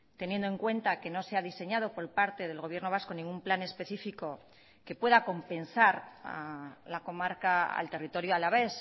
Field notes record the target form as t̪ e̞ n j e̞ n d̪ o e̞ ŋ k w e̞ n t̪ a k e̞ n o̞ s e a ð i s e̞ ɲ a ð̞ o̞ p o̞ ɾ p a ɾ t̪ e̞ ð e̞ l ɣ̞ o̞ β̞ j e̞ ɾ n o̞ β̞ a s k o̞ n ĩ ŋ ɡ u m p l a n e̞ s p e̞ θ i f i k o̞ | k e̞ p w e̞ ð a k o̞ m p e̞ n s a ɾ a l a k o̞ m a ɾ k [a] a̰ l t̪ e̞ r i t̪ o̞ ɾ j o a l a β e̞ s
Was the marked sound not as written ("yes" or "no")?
no